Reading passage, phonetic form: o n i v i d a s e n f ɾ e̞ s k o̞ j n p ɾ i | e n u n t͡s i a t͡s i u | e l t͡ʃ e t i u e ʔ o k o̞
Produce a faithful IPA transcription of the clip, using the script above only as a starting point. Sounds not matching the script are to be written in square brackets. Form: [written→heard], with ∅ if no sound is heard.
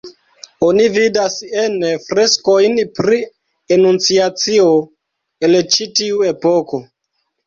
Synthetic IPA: o n i v i d a s e n f ɾ e̞ s k o̞ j n p ɾ i | e n u n t͡s i a t͡s i [u→o] | e l t͡ʃ [e→i] t i u e [ʔ→p] o k o̞